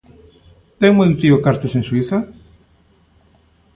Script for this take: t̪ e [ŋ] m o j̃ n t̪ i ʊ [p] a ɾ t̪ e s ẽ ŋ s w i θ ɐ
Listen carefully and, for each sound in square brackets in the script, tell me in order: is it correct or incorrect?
correct, incorrect

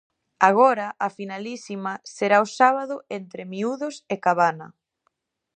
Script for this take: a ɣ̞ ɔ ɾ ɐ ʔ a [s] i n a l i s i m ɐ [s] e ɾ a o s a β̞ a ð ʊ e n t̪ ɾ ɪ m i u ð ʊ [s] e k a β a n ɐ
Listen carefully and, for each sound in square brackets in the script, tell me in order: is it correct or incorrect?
incorrect, correct, correct

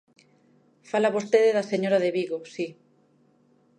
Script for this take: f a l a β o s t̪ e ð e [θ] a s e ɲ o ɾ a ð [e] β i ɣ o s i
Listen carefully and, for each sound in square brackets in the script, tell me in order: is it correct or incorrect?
incorrect, correct

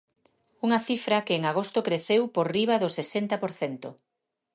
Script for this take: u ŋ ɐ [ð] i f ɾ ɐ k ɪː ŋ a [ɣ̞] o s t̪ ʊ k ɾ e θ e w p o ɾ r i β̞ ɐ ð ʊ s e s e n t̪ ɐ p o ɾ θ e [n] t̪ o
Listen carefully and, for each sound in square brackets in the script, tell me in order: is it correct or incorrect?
incorrect, correct, correct

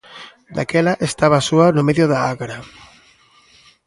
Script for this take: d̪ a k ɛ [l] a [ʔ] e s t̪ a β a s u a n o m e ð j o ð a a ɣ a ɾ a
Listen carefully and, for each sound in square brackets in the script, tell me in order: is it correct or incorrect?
correct, correct

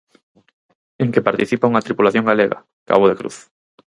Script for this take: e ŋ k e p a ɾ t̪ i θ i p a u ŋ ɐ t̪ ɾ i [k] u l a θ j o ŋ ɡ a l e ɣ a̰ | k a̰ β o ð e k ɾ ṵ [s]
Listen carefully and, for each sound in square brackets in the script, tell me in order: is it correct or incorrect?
incorrect, incorrect

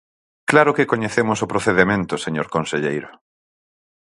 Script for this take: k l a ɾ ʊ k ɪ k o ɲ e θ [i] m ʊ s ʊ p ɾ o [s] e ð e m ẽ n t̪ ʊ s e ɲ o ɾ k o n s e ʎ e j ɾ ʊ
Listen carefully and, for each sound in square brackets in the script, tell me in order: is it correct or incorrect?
incorrect, incorrect

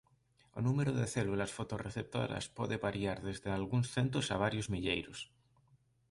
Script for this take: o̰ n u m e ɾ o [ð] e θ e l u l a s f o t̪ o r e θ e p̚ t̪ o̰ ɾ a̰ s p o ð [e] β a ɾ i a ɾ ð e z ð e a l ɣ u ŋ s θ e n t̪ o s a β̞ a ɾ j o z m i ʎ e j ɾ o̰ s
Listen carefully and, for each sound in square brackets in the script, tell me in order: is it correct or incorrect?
correct, correct

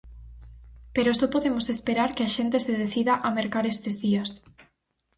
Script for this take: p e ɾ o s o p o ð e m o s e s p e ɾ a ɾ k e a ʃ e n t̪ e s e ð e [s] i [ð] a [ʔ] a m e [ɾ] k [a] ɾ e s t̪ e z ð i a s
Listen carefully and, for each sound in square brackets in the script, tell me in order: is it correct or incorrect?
incorrect, correct, correct, correct, correct

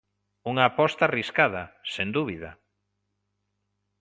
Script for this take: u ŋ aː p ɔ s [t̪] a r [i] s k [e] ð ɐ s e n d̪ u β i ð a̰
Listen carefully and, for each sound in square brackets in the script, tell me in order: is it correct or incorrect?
correct, correct, incorrect

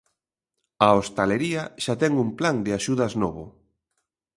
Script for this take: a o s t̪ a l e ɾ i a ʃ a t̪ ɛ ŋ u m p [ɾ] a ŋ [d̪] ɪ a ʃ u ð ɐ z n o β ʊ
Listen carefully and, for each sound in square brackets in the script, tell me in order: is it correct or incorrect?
incorrect, correct

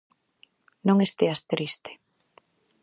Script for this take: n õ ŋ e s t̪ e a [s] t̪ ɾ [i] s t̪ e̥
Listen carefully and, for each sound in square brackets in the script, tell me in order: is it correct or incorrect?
correct, correct

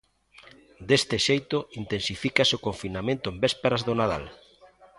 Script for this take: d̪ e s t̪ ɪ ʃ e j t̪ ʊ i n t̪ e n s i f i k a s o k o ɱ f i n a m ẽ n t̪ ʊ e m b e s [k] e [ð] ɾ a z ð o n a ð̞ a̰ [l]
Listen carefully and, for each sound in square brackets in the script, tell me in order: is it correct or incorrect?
incorrect, incorrect, correct

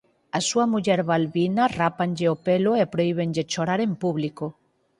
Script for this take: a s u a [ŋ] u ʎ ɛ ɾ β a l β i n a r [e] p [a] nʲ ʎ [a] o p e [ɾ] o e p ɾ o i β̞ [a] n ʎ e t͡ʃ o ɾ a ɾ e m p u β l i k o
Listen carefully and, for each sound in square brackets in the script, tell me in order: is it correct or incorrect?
incorrect, incorrect, correct, incorrect, incorrect, incorrect

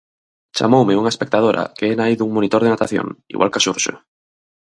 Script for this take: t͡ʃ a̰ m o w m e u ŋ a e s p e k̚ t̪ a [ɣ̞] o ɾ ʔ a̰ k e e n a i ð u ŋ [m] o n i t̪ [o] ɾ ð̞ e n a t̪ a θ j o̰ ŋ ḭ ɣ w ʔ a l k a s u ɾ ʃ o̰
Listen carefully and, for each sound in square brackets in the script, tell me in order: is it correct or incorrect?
incorrect, correct, correct

